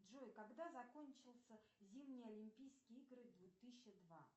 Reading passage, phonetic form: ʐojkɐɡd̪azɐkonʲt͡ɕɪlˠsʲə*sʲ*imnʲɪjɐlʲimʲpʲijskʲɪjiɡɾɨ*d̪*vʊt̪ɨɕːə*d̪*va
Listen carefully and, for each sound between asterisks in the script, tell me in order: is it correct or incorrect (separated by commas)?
incorrect, correct, correct